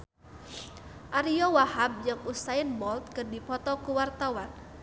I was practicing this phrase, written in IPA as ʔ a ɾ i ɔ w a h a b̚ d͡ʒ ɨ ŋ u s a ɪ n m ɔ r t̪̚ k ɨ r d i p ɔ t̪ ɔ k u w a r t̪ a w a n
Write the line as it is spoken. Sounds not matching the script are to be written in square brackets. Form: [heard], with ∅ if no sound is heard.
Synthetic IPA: ʔ a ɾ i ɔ w a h a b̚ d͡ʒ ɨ ŋ u s a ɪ n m ɔ [l] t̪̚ k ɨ r d i p ɔ t̪ ɔ k u w a r t̪ a w a n